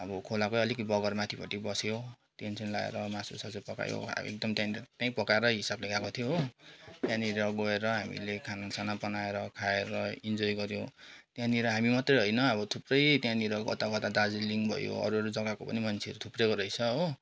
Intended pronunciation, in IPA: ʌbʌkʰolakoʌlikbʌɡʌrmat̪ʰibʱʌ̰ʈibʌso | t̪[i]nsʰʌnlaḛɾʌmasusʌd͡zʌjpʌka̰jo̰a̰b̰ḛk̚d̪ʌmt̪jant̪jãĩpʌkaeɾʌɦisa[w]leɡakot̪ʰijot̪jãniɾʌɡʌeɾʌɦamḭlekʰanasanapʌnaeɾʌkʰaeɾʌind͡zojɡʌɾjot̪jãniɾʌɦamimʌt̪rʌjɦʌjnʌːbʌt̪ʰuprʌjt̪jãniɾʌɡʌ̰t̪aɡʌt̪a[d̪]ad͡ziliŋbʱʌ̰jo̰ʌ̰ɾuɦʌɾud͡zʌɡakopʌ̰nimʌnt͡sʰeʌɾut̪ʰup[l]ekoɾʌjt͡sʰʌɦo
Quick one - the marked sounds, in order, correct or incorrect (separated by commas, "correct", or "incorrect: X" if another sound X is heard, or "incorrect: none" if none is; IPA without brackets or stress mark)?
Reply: incorrect: e, incorrect: b, correct, incorrect: r